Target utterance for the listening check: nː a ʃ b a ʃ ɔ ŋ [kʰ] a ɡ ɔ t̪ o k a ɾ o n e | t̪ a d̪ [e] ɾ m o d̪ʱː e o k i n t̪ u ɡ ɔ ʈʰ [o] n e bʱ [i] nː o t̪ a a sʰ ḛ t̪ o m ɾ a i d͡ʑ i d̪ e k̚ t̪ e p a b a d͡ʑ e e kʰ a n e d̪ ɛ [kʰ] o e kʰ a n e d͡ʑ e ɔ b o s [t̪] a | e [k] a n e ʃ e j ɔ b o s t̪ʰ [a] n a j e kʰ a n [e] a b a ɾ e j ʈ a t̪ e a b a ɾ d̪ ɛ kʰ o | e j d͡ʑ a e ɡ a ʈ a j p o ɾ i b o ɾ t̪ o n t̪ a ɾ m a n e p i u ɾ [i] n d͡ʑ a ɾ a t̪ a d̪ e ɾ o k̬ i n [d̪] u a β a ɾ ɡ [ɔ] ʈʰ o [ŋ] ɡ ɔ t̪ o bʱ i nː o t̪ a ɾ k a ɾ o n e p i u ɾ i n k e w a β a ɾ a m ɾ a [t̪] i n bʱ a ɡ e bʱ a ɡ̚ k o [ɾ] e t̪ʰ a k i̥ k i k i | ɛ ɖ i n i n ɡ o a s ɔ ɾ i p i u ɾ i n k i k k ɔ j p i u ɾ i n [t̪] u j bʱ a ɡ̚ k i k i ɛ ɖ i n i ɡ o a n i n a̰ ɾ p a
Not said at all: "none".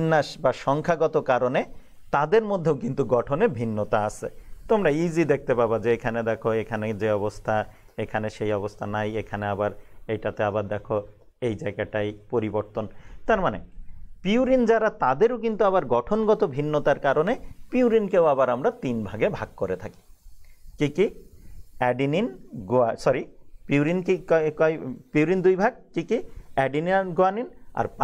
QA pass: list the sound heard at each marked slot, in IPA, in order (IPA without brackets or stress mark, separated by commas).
kʰ, e, o, i, kʰ, t̪ʰ, kʰ, a, e, i, t̪, ɔ, n, t̪, ɾ, d̪